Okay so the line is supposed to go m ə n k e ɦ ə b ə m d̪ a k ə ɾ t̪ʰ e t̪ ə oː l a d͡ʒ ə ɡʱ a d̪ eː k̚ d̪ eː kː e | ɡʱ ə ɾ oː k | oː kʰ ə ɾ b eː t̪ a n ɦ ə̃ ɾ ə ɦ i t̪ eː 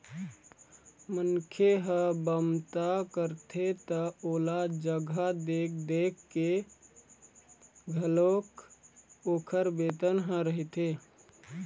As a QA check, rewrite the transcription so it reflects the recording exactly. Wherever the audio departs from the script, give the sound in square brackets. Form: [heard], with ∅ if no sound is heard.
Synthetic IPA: m ə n [kʰ] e ɦ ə b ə m [t̪] a k ə ɾ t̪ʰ e t̪ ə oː l a d͡ʒ ə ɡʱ a d̪ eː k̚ d̪ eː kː e | ɡʱ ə [l] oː k | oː kʰ ə ɾ b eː t̪ [ə] n ɦ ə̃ ɾ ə ɦ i t̪ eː

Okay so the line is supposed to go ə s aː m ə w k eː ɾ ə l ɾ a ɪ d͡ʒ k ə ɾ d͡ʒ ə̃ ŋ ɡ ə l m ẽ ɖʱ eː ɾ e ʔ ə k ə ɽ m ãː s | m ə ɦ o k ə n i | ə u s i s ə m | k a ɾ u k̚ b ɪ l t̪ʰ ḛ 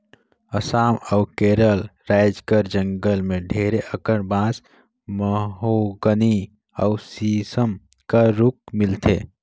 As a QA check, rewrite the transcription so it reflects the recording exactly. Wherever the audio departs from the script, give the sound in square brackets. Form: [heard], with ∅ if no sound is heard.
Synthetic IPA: ə s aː m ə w k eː ɾ ə l ɾ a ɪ d͡ʒ k ə ɾ d͡ʒ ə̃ ŋ ɡ ə l m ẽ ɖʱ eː ɾ e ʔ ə k ə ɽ [b] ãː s | m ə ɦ o [ɡ] ə n i | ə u s i s ə m | k a ɾ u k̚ [m] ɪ l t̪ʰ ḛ

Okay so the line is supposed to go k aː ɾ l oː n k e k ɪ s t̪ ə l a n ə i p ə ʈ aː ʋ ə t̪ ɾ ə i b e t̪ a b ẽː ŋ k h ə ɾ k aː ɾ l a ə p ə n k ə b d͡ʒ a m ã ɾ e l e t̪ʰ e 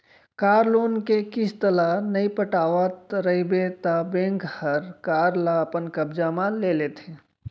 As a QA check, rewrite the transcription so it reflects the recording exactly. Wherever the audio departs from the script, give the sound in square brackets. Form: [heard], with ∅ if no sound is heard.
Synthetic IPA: k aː ɾ l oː n k e k ɪ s t̪ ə l a n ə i p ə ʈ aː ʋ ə t̪ ɾ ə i b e t̪ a b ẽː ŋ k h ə ɾ k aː ɾ l a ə p ə n k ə b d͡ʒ a m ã [l] e l e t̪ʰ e

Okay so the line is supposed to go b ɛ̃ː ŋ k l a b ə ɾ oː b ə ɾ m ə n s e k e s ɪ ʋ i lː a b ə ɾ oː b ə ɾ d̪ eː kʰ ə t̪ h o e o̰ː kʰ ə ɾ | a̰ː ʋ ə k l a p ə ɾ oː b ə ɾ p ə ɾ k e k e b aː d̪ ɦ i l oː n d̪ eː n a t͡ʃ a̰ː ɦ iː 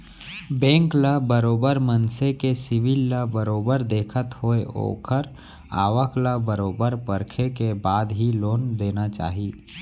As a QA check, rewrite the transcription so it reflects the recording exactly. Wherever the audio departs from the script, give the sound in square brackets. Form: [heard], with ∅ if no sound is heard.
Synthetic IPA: b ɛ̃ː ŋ k l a b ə ɾ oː b ə ɾ m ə n s e k e s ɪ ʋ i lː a b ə ɾ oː b ə ɾ d̪ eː kʰ ə t̪ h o e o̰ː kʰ ə ɾ | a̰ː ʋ ə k l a [b] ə ɾ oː b ə ɾ p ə ɾ [kʰ] e k e b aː d̪ ɦ i l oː n d̪ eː n a t͡ʃ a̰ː ɦ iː

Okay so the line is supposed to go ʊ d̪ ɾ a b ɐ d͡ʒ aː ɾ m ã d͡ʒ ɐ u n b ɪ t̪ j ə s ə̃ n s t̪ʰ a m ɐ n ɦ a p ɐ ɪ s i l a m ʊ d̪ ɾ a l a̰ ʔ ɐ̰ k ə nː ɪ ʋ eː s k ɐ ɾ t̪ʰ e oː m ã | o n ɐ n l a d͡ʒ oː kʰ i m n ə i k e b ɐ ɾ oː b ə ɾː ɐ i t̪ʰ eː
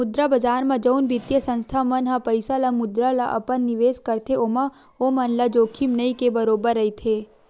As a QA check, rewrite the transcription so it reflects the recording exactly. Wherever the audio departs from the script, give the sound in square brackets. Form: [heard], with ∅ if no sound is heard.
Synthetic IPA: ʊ d̪ ɾ a b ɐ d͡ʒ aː ɾ m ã d͡ʒ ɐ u n b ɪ t̪ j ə s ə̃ n s t̪ʰ a m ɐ n ɦ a p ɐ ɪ s [a] l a m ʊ d̪ ɾ a l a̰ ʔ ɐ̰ [p] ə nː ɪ ʋ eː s k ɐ ɾ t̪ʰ e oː m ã | o [m] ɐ n l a d͡ʒ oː kʰ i m n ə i k e b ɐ ɾ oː b ə ɾː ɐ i t̪ʰ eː

